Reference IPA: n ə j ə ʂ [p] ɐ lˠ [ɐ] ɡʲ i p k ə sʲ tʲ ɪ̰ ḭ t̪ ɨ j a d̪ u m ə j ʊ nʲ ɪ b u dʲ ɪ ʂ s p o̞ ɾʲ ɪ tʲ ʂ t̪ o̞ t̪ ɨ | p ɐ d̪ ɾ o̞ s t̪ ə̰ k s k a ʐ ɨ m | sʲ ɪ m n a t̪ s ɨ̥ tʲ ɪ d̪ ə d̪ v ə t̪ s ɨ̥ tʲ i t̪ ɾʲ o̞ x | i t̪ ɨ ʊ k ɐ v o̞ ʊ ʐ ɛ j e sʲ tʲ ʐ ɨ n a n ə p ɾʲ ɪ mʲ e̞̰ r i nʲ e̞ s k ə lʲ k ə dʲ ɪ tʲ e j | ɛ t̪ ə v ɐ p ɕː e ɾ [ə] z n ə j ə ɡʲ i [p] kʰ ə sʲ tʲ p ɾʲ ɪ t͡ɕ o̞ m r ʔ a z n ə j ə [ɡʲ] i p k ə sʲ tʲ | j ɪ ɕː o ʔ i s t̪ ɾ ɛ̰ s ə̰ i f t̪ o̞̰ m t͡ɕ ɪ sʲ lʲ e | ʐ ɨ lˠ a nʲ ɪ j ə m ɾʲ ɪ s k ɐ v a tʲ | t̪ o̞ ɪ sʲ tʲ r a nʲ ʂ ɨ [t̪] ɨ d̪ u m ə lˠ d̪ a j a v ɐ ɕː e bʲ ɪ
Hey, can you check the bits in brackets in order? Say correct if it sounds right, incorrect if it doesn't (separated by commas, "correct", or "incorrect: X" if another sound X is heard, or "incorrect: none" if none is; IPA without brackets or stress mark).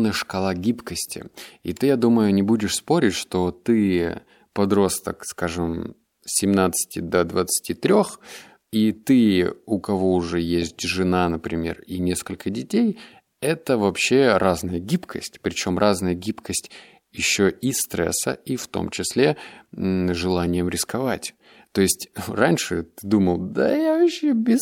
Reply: incorrect: k, incorrect: a, incorrect: a, correct, correct, correct